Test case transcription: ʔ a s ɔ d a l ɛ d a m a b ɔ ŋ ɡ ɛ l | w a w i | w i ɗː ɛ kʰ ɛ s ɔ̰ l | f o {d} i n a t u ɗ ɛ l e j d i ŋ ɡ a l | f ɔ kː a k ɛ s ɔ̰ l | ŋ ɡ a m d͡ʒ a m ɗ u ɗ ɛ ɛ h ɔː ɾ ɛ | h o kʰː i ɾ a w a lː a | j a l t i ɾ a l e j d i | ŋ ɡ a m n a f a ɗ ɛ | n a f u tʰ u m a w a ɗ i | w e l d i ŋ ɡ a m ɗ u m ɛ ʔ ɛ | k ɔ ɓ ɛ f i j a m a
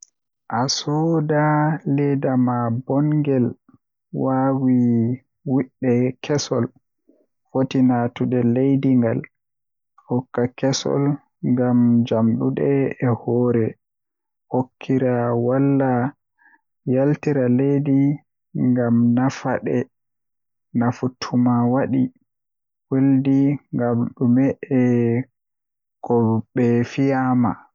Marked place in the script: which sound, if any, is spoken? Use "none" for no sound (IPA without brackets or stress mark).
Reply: t